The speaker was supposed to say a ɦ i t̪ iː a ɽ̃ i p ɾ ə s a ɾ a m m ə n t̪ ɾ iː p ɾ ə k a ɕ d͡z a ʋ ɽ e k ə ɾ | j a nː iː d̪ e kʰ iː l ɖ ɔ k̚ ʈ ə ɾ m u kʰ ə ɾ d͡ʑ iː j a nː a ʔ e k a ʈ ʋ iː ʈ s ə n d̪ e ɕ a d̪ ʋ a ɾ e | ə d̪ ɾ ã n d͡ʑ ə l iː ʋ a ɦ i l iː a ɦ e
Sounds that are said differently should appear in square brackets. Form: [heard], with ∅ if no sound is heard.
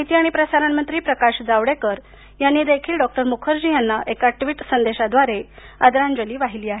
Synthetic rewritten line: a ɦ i t̪ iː a ɽ̃ i p ɾ ə s a ɾ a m m ə n t̪ ɾ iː p ɾ ə k a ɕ d͡z a ʋ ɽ e k ə ɾ | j a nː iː d̪ e kʰ iː l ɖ ɔ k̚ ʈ ə ɾ m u kʰ ə ɾ d͡ʑ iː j a nː a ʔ e k a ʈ ʋ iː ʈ s ə n d̪ e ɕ a d̪ ʋ a ɾ e | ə d̪ ɾ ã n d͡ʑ ə l iː ʋ a ɦ i l iː a ɦ e